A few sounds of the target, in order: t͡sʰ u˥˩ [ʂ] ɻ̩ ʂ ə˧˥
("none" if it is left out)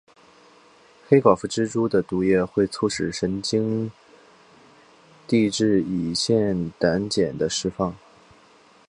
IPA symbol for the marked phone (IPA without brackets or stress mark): ʂ